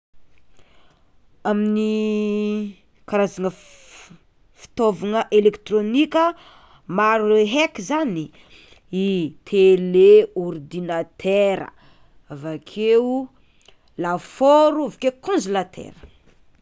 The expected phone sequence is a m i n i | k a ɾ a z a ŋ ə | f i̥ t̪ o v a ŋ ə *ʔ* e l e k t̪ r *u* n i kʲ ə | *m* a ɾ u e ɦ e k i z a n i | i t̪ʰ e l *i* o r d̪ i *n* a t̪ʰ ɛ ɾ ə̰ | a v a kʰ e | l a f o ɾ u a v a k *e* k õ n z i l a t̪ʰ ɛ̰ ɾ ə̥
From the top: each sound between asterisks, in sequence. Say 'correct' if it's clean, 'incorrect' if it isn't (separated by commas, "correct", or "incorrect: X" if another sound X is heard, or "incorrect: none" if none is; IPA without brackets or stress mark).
correct, incorrect: o, correct, incorrect: e, correct, correct